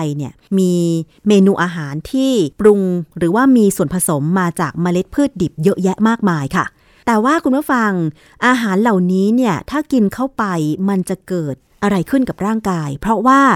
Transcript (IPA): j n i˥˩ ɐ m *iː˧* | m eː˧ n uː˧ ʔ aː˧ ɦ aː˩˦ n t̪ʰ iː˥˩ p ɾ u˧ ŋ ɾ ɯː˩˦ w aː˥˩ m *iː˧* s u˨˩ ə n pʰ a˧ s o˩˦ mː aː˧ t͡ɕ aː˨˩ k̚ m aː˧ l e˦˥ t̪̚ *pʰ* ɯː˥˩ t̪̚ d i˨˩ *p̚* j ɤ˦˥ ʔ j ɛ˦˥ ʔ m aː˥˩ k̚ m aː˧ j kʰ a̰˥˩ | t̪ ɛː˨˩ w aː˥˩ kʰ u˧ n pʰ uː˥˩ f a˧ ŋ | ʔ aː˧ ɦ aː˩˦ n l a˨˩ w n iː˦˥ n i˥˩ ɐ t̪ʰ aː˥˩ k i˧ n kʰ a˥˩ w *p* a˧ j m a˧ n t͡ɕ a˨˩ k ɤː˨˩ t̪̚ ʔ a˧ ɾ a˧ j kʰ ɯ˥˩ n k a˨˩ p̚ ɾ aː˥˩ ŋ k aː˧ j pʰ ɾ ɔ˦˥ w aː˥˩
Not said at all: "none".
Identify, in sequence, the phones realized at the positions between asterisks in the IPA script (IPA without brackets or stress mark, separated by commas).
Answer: iː˧, iː˧, pʰ, p̚, p